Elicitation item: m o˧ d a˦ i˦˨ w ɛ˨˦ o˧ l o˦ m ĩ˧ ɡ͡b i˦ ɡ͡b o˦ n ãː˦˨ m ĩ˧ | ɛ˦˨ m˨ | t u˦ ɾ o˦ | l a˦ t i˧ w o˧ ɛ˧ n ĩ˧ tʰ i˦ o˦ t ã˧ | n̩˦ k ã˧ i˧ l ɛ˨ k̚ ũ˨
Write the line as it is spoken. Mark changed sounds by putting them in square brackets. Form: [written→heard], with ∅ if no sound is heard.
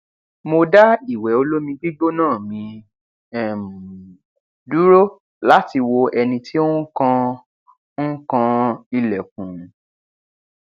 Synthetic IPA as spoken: m o˧ d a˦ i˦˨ w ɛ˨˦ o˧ l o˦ m ĩ˧ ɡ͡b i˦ ɡ͡b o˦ n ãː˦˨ m ĩ˧ | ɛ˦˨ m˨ | [t→d] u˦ ɾ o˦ | l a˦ t i˧ w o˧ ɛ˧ n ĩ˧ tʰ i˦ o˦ [t→k] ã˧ | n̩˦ k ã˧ i˧ l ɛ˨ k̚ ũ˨